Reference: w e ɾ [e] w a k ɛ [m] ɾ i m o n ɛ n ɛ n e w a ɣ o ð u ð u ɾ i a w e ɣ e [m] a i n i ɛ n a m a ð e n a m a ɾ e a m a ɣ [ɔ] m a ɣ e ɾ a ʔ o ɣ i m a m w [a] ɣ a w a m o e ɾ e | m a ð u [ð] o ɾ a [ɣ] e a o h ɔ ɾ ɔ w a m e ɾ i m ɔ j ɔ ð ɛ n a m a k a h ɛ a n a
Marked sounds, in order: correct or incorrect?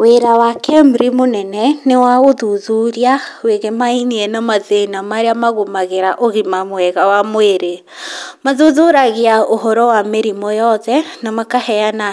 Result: incorrect: a, correct, correct, incorrect: o, incorrect: ɛ, correct, correct

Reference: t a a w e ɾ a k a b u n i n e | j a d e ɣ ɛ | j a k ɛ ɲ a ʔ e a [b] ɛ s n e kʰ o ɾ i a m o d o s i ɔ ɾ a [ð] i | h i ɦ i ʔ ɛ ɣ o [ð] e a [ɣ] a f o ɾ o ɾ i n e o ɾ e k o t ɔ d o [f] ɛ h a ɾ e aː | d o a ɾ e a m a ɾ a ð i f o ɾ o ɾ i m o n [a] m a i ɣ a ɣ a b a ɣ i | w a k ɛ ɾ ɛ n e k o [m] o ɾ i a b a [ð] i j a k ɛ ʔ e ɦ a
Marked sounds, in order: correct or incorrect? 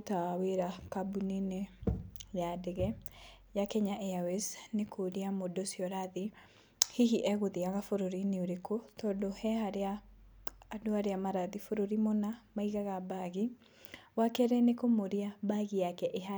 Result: incorrect: w, correct, correct, correct, incorrect: h, correct, correct, incorrect: ɣ

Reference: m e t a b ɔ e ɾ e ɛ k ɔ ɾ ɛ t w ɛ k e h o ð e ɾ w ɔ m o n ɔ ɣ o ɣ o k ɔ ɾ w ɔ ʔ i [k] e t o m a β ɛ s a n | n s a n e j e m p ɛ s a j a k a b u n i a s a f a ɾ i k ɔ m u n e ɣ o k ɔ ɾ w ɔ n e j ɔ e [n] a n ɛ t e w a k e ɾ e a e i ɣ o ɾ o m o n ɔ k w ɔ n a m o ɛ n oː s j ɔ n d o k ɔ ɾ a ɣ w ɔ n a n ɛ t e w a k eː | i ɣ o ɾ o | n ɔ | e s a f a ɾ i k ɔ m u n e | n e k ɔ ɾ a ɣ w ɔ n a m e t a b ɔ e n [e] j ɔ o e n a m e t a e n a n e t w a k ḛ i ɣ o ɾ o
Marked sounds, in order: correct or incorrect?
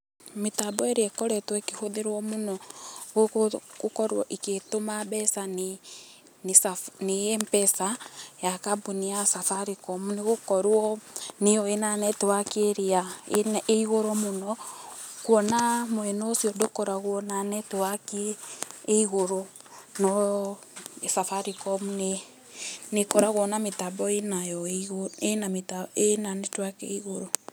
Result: correct, correct, incorrect: a

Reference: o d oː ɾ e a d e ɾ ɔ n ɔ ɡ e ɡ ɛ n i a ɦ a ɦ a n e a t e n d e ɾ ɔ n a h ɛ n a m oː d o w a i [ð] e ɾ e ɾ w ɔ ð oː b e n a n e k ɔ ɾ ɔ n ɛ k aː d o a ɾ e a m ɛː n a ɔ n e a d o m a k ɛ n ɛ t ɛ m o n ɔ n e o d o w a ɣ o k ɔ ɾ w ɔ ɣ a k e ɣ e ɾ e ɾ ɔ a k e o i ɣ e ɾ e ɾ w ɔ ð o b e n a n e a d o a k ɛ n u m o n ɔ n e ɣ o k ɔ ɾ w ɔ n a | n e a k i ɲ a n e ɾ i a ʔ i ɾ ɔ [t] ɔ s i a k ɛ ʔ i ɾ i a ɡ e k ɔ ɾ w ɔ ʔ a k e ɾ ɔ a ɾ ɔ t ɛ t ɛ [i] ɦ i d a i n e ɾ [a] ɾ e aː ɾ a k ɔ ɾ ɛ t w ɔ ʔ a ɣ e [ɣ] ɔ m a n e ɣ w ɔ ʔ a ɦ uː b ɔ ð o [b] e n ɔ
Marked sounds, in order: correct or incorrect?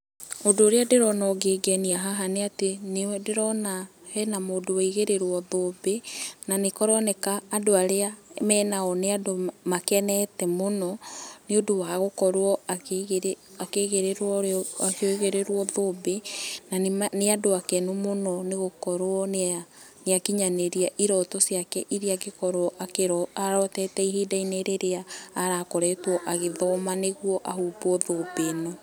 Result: incorrect: ɣ, correct, correct, incorrect: e, incorrect: ð, correct

